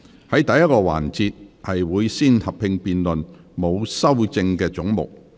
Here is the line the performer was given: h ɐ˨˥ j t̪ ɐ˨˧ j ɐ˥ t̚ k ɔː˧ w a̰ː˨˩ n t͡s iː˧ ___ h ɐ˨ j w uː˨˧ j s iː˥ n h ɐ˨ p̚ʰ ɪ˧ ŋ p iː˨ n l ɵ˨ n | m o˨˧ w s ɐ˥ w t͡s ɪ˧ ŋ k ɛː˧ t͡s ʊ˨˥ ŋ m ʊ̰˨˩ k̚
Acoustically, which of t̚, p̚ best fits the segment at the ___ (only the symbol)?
t̚